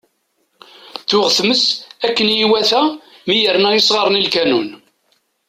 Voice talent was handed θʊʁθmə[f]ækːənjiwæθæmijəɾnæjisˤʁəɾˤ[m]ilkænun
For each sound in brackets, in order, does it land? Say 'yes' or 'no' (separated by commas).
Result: no, no